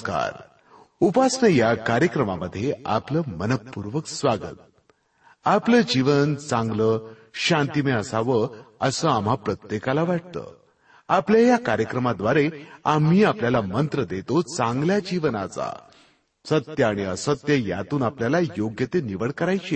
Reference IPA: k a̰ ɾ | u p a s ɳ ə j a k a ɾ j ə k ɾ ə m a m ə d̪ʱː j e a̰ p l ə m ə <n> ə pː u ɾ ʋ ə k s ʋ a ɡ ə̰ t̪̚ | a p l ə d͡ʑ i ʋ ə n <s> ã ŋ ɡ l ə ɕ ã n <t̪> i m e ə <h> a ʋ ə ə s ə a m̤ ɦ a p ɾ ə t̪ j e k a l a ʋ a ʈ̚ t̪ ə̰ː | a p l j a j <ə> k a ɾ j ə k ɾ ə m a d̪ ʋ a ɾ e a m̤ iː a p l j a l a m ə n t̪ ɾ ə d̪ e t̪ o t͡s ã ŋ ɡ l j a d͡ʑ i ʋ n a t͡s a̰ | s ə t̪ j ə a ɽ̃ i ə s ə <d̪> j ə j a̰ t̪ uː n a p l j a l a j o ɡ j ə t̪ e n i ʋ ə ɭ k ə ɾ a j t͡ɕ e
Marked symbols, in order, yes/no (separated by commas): yes, no, yes, no, no, no